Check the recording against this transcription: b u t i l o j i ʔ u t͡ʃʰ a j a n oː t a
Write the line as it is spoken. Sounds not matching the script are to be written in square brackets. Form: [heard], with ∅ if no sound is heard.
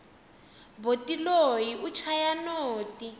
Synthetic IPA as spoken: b [o] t i l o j i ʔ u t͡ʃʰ a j a n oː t [i]

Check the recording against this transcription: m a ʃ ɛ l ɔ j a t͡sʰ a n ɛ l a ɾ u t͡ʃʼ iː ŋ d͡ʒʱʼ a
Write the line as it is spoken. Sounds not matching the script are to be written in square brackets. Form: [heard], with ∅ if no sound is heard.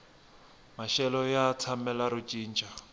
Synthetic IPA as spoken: m a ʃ ɛ l ɔ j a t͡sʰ a [m] ɛ l a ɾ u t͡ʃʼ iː [n] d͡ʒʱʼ a

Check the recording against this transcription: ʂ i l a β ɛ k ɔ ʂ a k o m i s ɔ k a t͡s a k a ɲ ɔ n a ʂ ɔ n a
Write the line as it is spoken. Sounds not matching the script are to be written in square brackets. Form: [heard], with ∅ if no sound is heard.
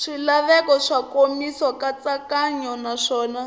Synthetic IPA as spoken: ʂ i l a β ɛ k ɔ ʂ a k o m i s ɔ k a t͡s a k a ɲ ɔ n a ʂ [ɔː] n a

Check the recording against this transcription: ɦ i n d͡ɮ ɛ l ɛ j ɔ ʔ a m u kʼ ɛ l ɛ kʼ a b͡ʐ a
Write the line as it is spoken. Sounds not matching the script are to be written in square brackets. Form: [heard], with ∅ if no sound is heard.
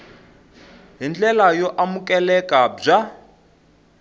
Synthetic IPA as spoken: ɦ i n d͡ɮ ɛ l [a] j ɔ ʔ a m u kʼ ɛ l ɛ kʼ a b͡ʐ a

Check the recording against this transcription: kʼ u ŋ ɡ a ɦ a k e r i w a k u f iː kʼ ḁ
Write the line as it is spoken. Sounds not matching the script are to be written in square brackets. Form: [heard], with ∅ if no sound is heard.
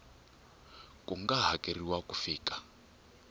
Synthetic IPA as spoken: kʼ u ŋ ɡ a ɦ a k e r i w a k u f iː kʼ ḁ

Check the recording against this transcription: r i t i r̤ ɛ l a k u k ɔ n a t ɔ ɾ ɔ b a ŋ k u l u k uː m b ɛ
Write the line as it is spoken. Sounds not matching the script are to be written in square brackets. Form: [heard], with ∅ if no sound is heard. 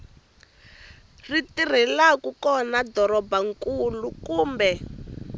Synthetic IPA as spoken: r i t i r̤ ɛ l a k u k ɔ n a [d] ɔ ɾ ɔ b a ŋ k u l u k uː m b ɛ

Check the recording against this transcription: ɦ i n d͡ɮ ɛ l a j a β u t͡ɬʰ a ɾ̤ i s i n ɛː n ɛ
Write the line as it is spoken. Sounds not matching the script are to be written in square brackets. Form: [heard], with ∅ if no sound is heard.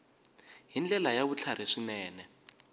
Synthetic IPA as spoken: ɦ i n d͡ɮ ɛ l a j a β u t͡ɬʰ a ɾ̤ i [ʂ] i n ɛː n ɛ

